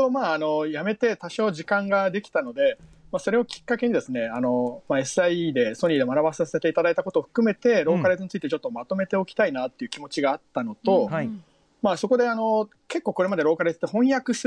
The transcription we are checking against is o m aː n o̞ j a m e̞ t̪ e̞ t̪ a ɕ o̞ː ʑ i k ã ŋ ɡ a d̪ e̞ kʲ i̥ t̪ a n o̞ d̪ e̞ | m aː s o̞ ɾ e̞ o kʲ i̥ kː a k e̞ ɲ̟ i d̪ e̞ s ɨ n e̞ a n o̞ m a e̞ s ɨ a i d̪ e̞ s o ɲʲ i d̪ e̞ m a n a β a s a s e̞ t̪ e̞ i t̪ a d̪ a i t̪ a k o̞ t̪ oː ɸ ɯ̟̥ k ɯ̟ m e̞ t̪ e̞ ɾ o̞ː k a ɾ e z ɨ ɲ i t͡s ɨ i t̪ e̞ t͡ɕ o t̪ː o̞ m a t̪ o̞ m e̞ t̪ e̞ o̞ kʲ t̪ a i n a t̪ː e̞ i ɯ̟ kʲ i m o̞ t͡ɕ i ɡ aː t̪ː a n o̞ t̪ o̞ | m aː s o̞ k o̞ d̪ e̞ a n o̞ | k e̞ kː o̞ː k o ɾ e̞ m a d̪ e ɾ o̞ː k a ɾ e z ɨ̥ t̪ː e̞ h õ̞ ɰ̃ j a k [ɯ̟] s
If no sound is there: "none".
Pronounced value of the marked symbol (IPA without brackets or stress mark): ɯ̟